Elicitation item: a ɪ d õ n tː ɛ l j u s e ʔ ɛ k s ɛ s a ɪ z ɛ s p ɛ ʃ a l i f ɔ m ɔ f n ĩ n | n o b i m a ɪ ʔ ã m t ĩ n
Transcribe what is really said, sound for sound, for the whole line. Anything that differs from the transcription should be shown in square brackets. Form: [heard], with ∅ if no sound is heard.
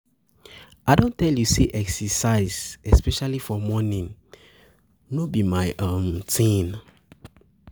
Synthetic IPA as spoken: a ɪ d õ n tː ɛ l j u s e ʔ ɛ k s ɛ s a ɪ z ɛ s p ɛ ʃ a l i f ɔ m ɔ [∅] n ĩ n | n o b i m a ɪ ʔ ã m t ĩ n

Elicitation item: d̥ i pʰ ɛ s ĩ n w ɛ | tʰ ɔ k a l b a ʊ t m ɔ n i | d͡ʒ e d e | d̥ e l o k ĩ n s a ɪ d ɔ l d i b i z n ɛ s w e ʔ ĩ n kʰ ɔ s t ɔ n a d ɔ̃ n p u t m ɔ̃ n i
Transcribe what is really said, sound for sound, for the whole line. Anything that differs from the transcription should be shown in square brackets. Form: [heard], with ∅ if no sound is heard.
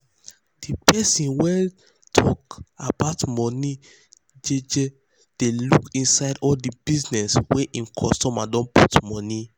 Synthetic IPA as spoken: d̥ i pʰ ɛ s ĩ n w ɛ | tʰ ɔ k a [∅] b a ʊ t m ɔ n i | d͡ʒ e [d͡ʒ] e | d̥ e l [u] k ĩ n s a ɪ d ɔ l d i b i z n ɛ s w e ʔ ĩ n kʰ ɔ s t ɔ [m] a d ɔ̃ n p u t m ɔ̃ n i

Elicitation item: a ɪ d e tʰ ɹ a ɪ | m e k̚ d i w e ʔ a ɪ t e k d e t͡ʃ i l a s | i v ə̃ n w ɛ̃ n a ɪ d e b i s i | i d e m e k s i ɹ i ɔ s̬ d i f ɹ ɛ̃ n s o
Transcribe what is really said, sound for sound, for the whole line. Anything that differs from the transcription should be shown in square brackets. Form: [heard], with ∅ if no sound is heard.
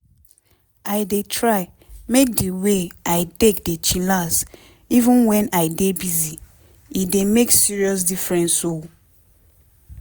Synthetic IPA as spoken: a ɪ d e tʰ ɹ a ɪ | m e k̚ d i w e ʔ a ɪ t e k d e t͡ʃ i l a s | i v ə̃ n w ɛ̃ n a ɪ d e b i [z] i | i d e m e k s i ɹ i ɔ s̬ d i f ɹ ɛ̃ n s o

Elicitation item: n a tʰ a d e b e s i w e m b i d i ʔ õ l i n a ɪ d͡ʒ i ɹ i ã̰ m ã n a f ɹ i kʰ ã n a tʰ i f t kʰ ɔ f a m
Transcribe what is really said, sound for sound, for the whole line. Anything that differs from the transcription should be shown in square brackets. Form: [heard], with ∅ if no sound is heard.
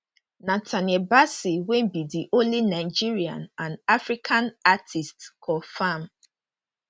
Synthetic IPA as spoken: n a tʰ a [n] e b [a] s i w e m b i d i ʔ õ l i n a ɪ d͡ʒ i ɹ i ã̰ [n] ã n a f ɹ i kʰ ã n a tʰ i [s] t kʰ ɔ f a m

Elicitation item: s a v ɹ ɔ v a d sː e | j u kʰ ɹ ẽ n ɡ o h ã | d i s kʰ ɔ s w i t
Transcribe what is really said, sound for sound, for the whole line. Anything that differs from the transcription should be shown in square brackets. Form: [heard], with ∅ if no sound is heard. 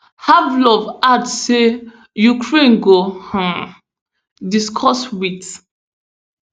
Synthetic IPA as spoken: [h] a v [l] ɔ v a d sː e | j u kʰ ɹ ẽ n ɡ o h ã | d i s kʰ ɔ s w i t

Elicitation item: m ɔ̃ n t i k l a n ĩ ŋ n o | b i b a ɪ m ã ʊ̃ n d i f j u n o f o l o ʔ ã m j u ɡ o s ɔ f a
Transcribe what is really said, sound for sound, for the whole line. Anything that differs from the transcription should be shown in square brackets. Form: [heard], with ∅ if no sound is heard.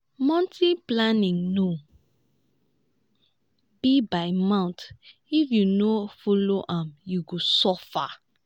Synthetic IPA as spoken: m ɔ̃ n t i [p] l a n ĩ ŋ n o | b i b a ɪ m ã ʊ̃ n [t] i f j u n o f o l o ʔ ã m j u ɡ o s ɔ f a

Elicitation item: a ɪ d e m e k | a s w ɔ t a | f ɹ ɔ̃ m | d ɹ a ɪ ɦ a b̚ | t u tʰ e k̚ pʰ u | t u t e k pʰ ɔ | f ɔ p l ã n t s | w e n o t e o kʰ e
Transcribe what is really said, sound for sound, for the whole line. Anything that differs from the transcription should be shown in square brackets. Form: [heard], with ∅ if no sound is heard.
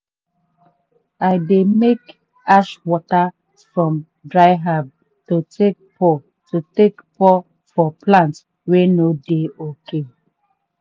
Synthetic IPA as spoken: a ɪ d e m e k | a [ʃ] w ɔ t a | f ɹ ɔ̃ m | d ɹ a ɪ ɦ a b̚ | t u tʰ e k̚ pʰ [ɔ] | t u t e k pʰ ɔ | f ɔ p l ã n t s | w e n o [d] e o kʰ e

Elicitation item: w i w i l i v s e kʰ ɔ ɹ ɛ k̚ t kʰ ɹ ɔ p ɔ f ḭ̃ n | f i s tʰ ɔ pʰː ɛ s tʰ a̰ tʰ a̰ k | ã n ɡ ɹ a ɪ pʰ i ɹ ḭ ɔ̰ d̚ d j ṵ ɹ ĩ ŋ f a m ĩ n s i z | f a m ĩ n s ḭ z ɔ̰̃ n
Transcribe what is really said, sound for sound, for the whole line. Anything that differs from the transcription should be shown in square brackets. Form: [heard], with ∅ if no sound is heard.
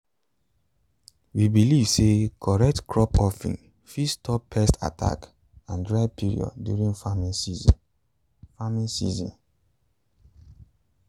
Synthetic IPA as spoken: w i [b] i l i v s e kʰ ɔ ɹ ɛ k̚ t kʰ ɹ ɔ p ɔ f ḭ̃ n | f i s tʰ ɔ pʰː ɛ s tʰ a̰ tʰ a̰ k | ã n [d] ɹ a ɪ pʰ i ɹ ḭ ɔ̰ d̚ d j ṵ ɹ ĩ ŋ f a m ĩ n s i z | f a m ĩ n s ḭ z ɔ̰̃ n

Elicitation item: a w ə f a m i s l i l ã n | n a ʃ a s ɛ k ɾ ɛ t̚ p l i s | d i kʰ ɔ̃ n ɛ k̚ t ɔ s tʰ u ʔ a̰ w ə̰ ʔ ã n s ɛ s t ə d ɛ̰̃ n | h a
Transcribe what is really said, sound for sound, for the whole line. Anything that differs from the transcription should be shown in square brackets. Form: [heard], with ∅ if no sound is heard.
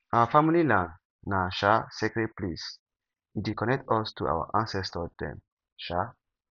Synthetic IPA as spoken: a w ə f a m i [∅] l i l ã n | n a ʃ a s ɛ k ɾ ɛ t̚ p l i s | d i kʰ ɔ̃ n ɛ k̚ t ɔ s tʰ u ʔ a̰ w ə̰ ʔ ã n s ɛ s t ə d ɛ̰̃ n | [ʃ] a

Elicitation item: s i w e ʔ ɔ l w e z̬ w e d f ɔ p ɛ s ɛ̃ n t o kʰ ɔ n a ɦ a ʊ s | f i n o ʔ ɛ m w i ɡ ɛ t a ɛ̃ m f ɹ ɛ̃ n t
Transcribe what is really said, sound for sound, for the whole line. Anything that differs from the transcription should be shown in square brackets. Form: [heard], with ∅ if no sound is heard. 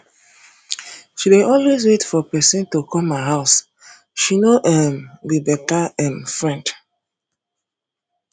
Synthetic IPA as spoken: [ʃ] i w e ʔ ɔ l w e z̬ w e [t] f ɔ p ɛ s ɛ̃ n t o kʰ ɔ [m] a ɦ a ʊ s | [ʃ] i n o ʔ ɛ m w i [b] ɛ t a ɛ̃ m f ɹ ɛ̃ n [d]

